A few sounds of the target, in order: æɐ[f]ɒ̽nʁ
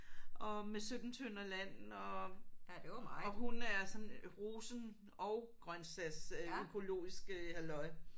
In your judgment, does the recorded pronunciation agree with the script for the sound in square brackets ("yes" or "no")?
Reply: no